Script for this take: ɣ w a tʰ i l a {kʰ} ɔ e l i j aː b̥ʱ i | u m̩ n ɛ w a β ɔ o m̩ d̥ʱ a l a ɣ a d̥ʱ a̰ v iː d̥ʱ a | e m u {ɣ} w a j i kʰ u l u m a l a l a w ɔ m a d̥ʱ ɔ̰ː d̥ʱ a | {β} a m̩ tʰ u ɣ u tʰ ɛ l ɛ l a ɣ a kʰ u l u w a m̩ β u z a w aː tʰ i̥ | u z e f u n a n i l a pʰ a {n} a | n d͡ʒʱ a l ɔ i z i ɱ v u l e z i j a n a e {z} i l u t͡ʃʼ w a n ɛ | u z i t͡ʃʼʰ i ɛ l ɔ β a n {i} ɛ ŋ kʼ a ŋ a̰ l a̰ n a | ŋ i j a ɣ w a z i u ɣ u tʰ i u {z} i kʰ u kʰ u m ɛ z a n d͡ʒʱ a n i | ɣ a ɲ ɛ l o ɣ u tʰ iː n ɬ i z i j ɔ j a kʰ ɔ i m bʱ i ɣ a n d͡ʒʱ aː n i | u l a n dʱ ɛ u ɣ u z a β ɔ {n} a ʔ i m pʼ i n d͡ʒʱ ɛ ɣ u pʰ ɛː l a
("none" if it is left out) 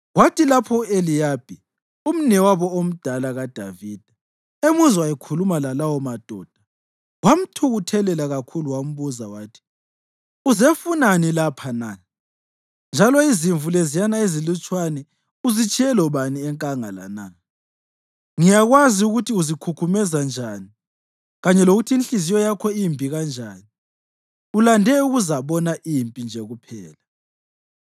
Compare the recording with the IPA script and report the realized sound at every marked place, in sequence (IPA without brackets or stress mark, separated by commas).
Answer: pʰ, z, w, n, z, i, z, n